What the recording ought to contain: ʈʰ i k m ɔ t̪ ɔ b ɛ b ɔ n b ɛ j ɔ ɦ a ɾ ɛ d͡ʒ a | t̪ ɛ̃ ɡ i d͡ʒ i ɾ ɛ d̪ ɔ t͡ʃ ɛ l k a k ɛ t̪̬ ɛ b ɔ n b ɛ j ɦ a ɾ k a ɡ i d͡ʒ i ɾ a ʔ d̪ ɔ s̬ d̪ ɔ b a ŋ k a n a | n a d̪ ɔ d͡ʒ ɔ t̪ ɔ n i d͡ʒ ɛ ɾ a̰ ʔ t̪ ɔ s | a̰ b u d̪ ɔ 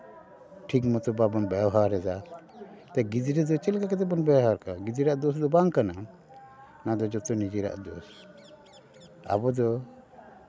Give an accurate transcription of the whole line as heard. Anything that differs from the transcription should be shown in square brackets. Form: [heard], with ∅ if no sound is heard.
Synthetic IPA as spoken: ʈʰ i k m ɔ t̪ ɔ b [a] b ɔ n b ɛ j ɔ ɦ a ɾ ɛ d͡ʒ a | t̪ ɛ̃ ɡ i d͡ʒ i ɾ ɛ d̪ ɔ t͡ʃ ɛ l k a k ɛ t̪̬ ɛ b ɔ n b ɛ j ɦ a ɾ k a ɡ i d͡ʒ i ɾ a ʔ d̪ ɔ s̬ d̪ ɔ b a ŋ k a n a | n a d̪ ɔ d͡ʒ ɔ t̪ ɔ n i d͡ʒ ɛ ɾ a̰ ʔ [d̪] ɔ s | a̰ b [ɔ] d̪ ɔ

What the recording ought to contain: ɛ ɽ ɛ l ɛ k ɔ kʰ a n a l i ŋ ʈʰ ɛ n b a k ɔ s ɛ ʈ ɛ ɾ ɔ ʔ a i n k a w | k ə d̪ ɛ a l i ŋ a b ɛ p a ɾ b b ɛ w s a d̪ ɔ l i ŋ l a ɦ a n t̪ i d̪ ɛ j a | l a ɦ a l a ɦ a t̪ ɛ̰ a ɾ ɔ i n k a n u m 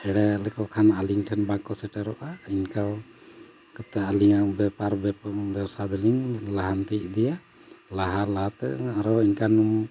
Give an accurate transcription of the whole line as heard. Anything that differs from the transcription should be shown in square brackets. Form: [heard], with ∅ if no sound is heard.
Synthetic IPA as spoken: ɛ ɽ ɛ l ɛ k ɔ kʰ a n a l i ŋ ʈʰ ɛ n b a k ɔ s ɛ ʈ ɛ ɾ ɔ ʔ a i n k a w | k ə [t̪] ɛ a l i ŋ a b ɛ p a ɾ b b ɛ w s a d̪ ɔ l i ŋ l a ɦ a n t̪ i d̪ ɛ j a | l a ɦ a l a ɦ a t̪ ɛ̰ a ɾ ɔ i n k a n u m

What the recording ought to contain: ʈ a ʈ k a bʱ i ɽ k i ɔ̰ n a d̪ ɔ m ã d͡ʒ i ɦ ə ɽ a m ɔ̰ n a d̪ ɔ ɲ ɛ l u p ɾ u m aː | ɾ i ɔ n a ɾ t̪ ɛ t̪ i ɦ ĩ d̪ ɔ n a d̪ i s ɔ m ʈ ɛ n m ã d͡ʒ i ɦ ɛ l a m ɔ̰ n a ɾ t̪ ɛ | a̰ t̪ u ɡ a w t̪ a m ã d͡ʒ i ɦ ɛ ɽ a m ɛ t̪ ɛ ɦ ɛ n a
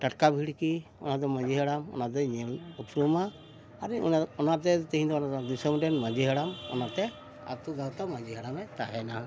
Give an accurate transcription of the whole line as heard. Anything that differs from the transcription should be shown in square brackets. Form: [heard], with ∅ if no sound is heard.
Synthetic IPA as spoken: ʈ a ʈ k a bʱ i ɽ k i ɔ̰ n a d̪ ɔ m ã d͡ʒ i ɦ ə ɽ a m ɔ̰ n a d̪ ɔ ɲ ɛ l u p ɾ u m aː | ɾ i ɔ n a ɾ t̪ ɛ t̪ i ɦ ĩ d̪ ɔ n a d̪ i s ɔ m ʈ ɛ n m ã d͡ʒ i ɦ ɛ [ɽ] a m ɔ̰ n a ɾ t̪ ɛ | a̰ t̪ u ɡ a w t̪ a m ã d͡ʒ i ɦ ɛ ɽ a m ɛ t̪ [a] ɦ ɛ n a

